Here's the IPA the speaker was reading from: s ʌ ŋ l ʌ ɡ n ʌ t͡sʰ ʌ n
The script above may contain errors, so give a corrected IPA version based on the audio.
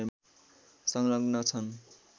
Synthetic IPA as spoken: s ʌ ŋ l ʌ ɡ n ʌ t͡sʰ ʌ n